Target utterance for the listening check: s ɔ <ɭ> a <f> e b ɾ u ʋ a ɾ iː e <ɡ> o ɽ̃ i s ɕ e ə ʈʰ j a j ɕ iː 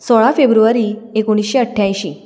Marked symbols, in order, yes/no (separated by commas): yes, yes, no